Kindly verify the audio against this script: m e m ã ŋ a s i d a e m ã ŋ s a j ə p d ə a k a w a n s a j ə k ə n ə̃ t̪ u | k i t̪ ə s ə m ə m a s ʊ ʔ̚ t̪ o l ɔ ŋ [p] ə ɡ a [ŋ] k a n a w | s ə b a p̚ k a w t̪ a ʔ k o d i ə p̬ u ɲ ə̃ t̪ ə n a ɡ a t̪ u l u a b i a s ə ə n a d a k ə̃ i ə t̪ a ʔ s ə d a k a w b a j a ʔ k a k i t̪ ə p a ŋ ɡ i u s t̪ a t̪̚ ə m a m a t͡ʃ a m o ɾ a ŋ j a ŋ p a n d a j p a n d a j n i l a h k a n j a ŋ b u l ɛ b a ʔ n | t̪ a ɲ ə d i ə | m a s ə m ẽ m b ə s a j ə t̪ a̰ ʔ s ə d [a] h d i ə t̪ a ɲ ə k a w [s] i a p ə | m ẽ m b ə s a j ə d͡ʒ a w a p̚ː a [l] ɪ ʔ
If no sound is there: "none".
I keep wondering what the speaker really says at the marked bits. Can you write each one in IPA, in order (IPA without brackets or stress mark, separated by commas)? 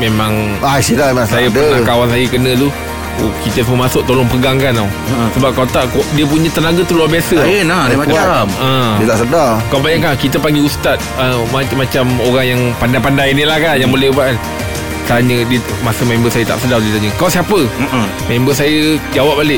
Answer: p, ŋ, a, s, l